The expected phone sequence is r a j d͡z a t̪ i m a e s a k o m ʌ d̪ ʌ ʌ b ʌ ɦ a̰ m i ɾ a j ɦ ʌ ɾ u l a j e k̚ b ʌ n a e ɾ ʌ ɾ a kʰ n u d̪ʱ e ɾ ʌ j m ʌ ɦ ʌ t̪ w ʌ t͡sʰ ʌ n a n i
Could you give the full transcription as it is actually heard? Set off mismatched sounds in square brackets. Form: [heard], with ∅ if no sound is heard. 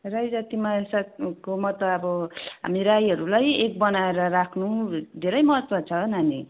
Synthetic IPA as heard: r a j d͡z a t̪ i m a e s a k o m ʌ [t̪] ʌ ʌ b ʌ ɦ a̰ m i ɾ a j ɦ ʌ ɾ u l a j e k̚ b ʌ n a e ɾ ʌ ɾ a kʰ n u d̪ʱ e ɾ ʌ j m ʌ ɦ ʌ t̪ w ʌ t͡sʰ ʌ n a n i